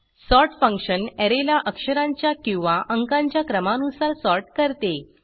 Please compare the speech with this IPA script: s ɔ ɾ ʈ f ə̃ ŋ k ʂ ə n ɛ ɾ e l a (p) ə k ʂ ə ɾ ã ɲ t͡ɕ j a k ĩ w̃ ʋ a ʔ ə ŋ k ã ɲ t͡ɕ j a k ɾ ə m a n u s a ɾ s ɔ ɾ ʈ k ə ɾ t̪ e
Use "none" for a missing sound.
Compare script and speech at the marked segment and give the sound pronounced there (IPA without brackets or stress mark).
ʔ